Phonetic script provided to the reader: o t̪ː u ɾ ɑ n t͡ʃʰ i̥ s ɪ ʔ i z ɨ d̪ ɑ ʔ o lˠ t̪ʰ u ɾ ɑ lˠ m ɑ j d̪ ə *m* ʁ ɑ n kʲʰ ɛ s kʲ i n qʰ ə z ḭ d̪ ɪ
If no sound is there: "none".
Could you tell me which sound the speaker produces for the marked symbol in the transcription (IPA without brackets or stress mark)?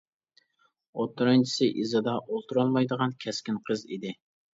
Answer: none